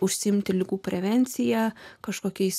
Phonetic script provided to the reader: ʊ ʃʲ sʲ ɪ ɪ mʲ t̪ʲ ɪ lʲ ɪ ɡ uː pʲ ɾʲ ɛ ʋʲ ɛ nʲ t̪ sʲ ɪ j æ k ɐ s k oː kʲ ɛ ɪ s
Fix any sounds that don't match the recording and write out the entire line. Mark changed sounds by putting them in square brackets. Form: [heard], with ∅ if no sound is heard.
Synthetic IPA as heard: ʊ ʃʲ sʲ ɪ ɪ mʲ t̪ʲ ɪ lʲ ɪ ɡ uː pʲ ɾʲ ɛ ʋʲ ɛ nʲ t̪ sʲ ɪ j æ k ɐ [ʃ] k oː kʲ ɛ ɪ s

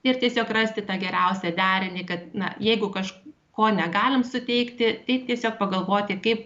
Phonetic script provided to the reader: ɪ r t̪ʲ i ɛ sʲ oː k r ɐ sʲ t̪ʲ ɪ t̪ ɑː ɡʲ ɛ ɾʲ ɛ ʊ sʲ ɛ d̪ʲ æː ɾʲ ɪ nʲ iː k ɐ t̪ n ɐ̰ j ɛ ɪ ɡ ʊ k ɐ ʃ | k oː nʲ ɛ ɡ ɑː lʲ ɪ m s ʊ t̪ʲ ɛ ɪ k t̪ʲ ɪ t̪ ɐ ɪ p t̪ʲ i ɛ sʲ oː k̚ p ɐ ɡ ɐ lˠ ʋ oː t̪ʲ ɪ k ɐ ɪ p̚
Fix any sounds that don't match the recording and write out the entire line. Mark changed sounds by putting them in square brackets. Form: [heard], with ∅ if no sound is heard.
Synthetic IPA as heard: ɪ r t̪ʲ i ɛ sʲ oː k r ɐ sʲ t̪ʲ ɪ t̪ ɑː ɡʲ ɛ ɾʲ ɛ ʊ sʲ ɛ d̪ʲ æː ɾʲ ɪ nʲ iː k ɐ t̪ n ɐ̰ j ɛ ɪ ɡ ʊ k ɐ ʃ | k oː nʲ ɛ ɡ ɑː lʲ ɪ m s ʊ t̪ʲ ɛ ɪ k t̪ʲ ɪ t̪ ɐ ɪ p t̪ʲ i ɛ sʲ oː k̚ p ɐ ɡ ɐ lˠ ʋ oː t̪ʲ ɪ k ɐ ɪ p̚

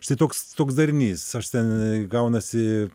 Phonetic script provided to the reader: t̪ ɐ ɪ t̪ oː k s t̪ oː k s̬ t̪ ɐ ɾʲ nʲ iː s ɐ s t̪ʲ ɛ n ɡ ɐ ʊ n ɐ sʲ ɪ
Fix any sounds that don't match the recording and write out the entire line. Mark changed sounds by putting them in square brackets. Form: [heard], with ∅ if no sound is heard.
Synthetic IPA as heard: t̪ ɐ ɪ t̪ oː k s t̪ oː k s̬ [d̪] ɐ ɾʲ nʲ iː s ɐ [ʃ] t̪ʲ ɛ n ɡ ɐ ʊ n ɐ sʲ ɪ

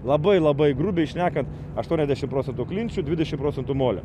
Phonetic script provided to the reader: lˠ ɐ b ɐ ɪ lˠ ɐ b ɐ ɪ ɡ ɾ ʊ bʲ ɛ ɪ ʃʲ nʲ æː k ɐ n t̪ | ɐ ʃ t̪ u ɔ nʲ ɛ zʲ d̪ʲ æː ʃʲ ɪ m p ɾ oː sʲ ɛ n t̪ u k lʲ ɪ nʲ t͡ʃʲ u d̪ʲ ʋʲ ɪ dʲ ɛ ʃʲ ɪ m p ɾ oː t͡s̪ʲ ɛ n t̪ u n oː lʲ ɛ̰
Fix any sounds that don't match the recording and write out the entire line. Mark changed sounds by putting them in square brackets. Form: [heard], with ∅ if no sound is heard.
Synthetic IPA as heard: lˠ ɐ b ɐ ɪ lˠ ɐ b ɐ ɪ ɡ ɾ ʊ bʲ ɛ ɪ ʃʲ nʲ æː k ɐ n t̪ | ɐ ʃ t̪ u ɔ nʲ ɛ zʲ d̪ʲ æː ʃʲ ɪ m p ɾ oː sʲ ɛ n t̪ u k lʲ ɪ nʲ t͡ʃʲ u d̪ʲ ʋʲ ɪ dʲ ɛ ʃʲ ɪ m p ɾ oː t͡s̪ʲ ɛ n t̪ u [m] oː lʲ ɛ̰

